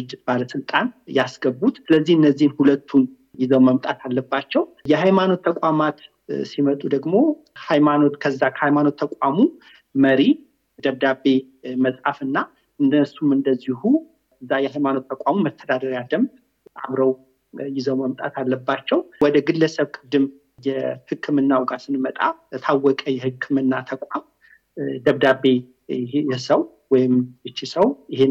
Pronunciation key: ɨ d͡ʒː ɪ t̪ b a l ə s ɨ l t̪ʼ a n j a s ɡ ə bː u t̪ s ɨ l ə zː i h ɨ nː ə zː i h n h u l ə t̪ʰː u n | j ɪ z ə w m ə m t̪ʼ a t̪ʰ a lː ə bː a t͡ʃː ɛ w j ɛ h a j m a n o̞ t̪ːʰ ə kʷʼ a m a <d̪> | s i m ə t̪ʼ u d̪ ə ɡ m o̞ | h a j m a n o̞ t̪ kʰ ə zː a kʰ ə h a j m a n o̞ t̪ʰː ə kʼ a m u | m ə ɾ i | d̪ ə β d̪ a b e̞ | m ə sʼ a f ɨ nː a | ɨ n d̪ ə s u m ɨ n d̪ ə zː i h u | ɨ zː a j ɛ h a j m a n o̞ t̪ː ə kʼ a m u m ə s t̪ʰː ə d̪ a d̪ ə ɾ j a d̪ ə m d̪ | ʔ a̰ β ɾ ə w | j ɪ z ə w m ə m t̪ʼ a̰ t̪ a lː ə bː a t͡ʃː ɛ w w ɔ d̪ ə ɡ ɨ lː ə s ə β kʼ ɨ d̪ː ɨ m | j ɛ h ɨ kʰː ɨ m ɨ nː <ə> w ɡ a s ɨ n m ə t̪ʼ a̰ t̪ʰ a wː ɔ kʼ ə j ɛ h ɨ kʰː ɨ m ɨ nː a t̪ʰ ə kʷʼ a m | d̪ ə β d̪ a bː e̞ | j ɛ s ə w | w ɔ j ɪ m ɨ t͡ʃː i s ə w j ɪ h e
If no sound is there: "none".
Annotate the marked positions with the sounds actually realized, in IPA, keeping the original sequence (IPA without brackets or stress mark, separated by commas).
t̪, a